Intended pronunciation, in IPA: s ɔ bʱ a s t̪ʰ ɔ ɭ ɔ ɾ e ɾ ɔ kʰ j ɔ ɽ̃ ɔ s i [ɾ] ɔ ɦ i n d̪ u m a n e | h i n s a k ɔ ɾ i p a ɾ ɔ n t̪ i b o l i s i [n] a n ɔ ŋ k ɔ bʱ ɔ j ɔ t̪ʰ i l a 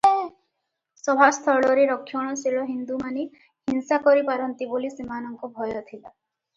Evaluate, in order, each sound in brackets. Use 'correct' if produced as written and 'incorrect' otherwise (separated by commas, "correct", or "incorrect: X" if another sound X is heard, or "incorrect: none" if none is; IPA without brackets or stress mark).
incorrect: ɭ, incorrect: m